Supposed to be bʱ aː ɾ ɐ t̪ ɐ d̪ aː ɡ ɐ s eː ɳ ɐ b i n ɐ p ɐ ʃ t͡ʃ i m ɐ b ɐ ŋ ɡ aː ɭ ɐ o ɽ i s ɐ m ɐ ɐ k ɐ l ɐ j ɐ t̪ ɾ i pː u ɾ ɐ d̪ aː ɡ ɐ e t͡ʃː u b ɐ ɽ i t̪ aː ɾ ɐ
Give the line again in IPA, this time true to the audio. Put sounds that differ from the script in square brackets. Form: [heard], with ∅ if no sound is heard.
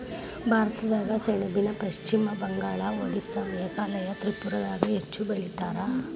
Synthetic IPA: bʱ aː ɾ ɐ t̪ ɐ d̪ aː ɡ ɐ s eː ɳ ɐ b i n ɐ p ɐ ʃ t͡ʃ i m ɐ b ɐ ŋ ɡ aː ɭ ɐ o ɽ i s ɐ m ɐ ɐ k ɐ l ɐ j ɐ t̪ ɾ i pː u ɾ ɐ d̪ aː ɡ ɐ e t͡ʃː u b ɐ [ɭ] i t̪ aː ɾ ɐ

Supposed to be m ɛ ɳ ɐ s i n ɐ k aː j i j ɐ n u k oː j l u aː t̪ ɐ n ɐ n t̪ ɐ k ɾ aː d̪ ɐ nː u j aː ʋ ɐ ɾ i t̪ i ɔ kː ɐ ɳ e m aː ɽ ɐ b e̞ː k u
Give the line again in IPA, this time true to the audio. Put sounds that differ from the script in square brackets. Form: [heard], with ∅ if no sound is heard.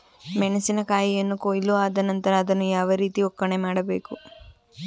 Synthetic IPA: m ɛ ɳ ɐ s i n ɐ k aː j i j ɐ [nː] u k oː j l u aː [d̪] ɐ n ɐ n t̪ ɐ [∅] ɾ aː d̪ ɐ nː u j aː ʋ ɐ ɾ [iː] t̪ i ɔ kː ɐ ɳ e m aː ɽ ɐ b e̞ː k u

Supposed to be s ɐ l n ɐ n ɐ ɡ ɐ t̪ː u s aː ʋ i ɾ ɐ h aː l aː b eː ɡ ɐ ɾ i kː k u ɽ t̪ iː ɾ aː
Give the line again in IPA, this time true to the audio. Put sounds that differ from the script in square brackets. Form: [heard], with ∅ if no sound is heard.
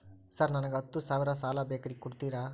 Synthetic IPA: s ɐ [ɾ] n ɐ n ɐ ɡ ɐ t̪ː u s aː ʋ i ɾ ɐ [s] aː l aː b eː [k] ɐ ɾ i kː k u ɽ t̪ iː ɾ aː

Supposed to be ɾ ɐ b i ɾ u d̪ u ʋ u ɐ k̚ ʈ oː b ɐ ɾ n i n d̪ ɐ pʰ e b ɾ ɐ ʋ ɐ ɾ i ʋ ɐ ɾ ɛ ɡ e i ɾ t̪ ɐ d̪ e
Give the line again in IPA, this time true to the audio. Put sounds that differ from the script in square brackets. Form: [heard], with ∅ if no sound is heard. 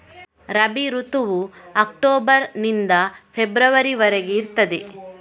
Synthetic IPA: ɾ ɐ b i ɾ u [t̪] u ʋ u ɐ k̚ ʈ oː b ɐ ɾ n i n d̪ ɐ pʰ e b ɾ ɐ ʋ ɐ ɾ i ʋ ɐ ɾ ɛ ɡ e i ɾ t̪ ɐ d̪ e

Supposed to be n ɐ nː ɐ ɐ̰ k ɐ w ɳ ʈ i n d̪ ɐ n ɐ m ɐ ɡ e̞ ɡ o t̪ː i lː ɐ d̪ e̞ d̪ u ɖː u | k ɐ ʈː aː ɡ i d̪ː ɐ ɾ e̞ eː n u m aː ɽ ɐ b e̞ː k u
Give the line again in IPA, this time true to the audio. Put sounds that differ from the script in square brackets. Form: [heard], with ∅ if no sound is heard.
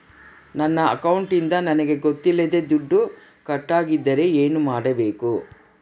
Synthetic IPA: n ɐ nː ɐ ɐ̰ k ɐ w ɳ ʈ i n d̪ ɐ n ɐ [n] ɐ ɡ e̞ ɡ o t̪ː i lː ɐ d̪ e̞ d̪ u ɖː u | k ɐ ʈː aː ɡ i d̪ː ɐ ɾ e̞ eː n u m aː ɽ ɐ b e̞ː k u

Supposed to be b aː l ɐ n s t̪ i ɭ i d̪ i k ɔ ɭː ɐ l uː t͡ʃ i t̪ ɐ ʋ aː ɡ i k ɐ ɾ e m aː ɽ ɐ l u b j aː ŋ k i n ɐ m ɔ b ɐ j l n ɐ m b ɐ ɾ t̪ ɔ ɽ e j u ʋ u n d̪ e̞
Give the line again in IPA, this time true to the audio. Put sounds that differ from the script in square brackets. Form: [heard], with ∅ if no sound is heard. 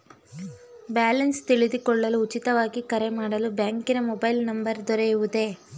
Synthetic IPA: b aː l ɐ n s t̪ i ɭ i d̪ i k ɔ ɭː ɐ l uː t͡ʃ i t̪ ɐ ʋ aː ɡ i k ɐ ɾ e m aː ɽ ɐ l u b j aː ŋ k i n ɐ m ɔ b ɐ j l n ɐ m b ɐ ɾ [d̪] ɔ [ɾ] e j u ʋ u [∅] d̪ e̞

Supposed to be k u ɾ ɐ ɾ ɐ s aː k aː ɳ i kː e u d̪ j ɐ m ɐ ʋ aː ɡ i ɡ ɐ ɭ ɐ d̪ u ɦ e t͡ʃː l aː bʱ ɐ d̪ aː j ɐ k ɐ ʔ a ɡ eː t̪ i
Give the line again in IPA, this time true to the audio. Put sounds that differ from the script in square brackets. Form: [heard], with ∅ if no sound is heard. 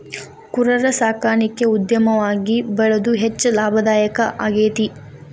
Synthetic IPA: k u ɾ ɐ ɾ ɐ s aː k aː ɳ i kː e u d̪ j ɐ m ɐ ʋ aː ɡ i [b] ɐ ɭ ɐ d̪ u ɦ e t͡ʃː l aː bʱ ɐ d̪ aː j ɐ k ɐ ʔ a ɡ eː t̪ i

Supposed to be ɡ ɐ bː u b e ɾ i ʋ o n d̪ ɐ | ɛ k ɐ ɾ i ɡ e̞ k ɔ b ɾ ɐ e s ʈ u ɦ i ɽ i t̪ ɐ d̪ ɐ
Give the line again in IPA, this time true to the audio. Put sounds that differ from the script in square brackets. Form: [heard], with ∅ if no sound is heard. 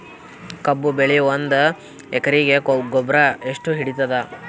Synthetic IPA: [k] ɐ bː u b e [ɭ] i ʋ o n d̪ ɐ | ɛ k ɐ ɾ i ɡ e̞ [ɡ] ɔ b ɾ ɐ e [ʂ] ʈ u ɦ i ɽ i t̪ ɐ d̪ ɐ

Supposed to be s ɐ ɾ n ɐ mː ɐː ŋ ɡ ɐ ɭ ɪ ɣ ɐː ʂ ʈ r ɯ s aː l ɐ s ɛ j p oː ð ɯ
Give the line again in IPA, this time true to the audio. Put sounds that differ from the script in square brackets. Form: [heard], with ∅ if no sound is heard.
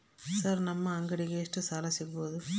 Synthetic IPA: s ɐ ɾ n ɐ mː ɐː ŋ ɡ ɐ [ɽ] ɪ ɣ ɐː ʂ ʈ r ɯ s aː l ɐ s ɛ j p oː ð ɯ

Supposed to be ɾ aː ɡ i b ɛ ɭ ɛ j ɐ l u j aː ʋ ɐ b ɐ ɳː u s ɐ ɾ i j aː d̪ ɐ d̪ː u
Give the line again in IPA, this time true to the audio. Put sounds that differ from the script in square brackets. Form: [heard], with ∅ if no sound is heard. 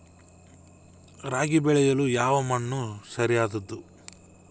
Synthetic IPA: ɾ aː ɡ i b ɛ ɭ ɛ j ɐ l u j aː ʋ ɐ [m] ɐ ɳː u s ɐ ɾ i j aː d̪ ɐ d̪ː u

